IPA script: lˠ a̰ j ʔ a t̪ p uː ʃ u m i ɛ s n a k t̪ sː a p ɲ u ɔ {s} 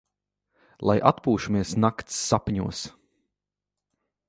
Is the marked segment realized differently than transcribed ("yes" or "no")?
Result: no